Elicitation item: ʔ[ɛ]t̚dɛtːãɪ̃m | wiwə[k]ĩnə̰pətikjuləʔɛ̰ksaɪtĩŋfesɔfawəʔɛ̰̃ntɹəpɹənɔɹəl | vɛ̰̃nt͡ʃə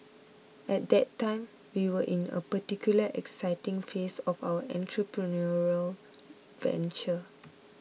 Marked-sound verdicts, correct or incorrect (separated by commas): correct, incorrect